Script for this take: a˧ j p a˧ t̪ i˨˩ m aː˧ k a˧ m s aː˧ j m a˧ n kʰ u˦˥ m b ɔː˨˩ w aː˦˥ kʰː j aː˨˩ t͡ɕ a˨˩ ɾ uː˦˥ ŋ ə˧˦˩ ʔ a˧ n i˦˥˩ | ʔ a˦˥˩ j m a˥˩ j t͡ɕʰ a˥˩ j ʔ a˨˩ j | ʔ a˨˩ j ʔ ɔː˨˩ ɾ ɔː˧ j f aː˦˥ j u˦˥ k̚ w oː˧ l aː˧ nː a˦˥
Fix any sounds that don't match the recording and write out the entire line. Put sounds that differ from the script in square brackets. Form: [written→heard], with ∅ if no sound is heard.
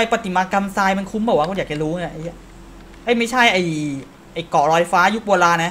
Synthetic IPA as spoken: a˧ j p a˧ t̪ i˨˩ m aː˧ k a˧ m s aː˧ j m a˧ n kʰ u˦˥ m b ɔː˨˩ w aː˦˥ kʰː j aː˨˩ t͡ɕ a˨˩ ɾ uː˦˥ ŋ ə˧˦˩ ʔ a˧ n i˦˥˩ | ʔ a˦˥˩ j m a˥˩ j t͡ɕʰ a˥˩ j ʔ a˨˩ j | ʔ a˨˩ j [ʔ→k] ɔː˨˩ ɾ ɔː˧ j f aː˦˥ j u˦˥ k̚ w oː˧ l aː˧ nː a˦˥